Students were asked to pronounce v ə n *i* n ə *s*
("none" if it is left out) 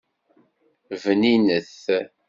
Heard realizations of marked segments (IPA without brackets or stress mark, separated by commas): i, θ